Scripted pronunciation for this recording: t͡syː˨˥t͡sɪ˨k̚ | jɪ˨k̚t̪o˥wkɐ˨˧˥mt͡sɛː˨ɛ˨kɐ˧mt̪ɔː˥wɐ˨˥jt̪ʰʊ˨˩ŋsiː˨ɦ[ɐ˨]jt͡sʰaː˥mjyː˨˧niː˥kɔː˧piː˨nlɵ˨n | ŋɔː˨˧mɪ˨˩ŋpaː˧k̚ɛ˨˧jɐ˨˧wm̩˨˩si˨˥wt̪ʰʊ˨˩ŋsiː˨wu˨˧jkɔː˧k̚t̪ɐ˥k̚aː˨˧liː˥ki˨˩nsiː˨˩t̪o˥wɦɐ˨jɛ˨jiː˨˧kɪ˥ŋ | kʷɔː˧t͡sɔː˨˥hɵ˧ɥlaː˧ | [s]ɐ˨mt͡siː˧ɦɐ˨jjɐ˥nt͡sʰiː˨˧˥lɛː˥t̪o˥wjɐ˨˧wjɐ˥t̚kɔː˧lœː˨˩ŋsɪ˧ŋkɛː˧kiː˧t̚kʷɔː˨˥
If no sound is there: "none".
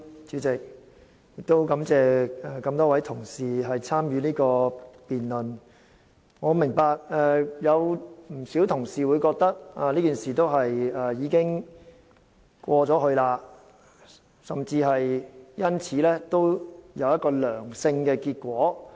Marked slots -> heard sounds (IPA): ɐ˨, s

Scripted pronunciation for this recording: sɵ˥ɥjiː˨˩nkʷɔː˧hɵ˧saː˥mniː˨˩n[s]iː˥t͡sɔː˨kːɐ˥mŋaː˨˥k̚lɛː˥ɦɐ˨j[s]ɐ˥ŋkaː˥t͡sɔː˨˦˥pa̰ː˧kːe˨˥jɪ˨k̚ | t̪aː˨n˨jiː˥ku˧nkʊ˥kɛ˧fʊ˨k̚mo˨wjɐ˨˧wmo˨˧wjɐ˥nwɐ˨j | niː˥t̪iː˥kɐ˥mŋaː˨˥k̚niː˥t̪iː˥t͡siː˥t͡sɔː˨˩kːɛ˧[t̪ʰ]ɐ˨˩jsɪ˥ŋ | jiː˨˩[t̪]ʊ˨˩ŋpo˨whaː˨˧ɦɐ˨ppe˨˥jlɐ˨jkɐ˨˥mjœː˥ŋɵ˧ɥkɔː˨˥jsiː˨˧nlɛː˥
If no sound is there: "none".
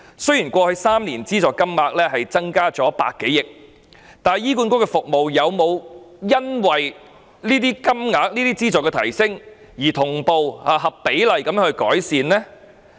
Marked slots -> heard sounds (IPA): t͡s, t͡s, t̪ʰ, t̪ʰ

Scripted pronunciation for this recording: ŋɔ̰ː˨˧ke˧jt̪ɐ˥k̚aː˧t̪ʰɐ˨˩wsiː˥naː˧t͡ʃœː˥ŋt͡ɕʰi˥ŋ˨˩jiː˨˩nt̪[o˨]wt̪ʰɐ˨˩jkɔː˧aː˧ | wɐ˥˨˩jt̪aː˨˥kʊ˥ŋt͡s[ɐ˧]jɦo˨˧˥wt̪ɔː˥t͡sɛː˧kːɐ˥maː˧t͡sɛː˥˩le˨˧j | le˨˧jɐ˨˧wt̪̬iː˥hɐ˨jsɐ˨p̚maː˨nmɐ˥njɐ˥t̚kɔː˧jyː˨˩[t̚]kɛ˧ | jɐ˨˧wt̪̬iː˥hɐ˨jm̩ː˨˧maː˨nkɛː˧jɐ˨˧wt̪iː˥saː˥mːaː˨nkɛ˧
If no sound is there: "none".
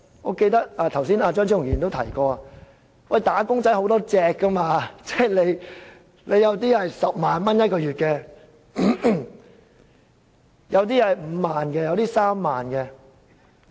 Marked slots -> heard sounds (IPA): o˥, ɐ˨˥, t̚

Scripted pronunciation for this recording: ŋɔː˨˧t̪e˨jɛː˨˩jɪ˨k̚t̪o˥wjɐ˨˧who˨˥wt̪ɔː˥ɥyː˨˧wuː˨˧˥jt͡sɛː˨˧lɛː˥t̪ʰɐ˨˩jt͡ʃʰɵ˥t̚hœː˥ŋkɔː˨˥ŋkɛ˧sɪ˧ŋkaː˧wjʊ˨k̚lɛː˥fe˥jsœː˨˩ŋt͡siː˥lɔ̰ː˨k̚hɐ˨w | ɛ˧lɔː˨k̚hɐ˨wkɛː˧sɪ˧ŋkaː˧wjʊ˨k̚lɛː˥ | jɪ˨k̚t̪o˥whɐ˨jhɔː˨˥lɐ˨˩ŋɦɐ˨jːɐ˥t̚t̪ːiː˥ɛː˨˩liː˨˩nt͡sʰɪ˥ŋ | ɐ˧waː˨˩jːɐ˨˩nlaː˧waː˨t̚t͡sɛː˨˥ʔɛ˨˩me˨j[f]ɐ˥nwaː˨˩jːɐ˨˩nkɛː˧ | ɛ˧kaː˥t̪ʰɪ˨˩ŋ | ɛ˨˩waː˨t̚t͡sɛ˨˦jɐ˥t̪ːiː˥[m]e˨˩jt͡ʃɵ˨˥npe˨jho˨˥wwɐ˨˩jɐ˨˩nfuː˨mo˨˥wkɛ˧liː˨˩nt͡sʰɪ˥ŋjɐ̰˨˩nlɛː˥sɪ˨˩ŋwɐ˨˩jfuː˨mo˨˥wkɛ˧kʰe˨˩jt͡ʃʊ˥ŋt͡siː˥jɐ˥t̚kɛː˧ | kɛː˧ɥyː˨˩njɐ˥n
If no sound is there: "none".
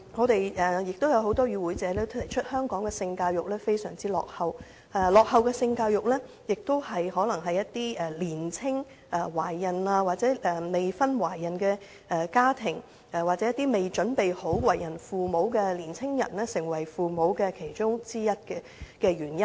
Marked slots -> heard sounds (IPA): f, m

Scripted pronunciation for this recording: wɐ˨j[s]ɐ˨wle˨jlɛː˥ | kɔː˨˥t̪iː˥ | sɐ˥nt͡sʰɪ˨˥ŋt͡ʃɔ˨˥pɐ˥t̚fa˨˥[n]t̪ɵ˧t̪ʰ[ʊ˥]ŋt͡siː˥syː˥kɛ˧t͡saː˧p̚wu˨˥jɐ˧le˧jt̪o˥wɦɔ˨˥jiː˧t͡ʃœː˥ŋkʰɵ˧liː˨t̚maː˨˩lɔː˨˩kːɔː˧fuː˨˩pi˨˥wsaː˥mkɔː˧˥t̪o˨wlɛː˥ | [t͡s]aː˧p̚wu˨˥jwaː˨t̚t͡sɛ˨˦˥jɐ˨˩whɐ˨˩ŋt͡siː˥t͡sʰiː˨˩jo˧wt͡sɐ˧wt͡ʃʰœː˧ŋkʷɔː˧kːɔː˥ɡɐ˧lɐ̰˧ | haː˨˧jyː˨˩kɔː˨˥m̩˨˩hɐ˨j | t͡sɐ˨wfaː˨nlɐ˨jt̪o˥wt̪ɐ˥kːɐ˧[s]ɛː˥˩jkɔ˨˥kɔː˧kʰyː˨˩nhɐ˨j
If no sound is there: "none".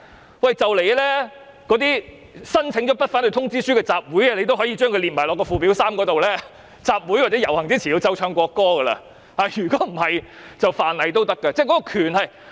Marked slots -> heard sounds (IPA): t͡s, n, ʊ˥, t͡s, t͡s

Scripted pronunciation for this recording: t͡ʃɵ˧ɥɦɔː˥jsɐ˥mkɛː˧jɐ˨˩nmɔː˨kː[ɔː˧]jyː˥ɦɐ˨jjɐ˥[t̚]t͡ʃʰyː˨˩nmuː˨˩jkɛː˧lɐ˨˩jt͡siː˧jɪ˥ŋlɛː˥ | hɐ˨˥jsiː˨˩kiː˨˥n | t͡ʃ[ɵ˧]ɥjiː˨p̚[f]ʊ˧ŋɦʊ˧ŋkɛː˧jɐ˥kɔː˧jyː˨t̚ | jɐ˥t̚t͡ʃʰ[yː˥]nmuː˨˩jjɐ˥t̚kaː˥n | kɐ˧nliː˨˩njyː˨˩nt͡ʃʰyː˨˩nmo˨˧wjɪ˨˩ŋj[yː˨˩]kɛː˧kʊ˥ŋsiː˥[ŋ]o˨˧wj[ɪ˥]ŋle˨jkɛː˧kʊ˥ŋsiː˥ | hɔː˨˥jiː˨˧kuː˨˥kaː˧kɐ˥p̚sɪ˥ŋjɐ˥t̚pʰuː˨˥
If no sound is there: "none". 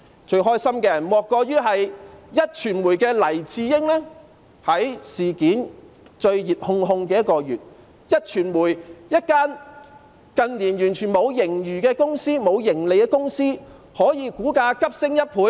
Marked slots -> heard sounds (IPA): ɔː˧, t̚, ɵ˧, h, yː˨˩, yː˨˩, m, ɪ˨˩

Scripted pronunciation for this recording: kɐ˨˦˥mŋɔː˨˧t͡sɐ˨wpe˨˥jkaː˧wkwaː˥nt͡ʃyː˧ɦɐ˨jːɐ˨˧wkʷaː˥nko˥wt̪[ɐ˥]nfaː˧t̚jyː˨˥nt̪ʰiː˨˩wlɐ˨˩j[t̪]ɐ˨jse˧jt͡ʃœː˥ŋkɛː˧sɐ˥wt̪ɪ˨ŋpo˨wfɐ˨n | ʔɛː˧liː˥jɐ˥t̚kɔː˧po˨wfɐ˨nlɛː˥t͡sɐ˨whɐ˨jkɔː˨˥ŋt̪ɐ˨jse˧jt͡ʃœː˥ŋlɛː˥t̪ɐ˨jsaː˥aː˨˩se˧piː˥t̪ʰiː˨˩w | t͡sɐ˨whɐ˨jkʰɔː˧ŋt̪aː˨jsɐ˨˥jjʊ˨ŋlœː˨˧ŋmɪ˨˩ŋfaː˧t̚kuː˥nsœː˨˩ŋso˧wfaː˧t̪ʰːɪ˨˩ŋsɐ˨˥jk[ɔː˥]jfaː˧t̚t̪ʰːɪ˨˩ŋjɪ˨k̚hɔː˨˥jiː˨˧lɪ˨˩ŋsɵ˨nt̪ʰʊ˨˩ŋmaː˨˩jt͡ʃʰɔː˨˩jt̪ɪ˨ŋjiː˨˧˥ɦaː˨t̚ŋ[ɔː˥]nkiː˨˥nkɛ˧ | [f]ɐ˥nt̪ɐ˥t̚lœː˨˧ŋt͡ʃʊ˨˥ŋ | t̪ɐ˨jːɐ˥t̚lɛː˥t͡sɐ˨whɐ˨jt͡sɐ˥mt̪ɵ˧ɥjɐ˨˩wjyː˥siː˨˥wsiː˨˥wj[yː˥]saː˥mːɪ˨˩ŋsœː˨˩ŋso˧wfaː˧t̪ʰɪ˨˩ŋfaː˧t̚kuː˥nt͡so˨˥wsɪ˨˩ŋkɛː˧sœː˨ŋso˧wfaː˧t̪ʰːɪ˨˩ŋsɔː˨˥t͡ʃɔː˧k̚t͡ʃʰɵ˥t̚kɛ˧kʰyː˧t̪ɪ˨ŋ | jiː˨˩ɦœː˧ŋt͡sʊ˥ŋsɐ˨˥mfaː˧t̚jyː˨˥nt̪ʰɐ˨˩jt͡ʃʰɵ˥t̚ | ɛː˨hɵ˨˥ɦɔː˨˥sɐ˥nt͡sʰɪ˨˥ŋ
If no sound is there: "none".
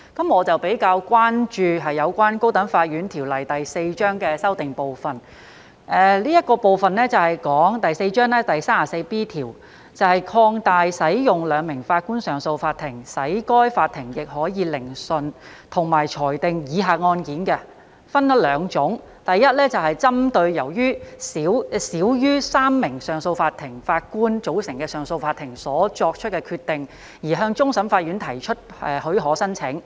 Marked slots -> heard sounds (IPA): ɐ˨˥, t̪, ɔː˥, ɔː˧, f, yː˥

